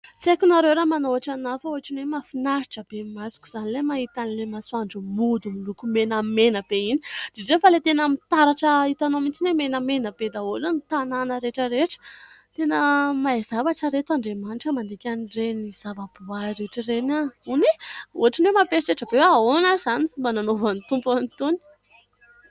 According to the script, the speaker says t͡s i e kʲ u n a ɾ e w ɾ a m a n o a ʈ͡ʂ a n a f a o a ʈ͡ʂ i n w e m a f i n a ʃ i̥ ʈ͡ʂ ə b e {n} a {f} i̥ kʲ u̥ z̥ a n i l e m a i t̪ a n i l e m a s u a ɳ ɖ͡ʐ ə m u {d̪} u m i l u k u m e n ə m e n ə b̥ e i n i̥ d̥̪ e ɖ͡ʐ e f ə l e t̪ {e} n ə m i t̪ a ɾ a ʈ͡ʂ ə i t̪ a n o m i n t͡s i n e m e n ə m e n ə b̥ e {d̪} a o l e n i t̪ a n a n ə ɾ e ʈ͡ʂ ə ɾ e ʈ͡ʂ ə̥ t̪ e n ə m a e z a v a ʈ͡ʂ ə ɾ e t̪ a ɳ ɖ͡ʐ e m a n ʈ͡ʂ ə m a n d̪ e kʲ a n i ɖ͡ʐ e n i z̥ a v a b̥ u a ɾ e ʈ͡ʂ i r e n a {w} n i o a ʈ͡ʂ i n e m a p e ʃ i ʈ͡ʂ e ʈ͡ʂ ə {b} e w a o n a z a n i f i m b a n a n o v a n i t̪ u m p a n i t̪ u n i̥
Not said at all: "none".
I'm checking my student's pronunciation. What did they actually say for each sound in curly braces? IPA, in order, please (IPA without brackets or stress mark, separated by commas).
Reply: m, s, d̪, e, d̪, u, b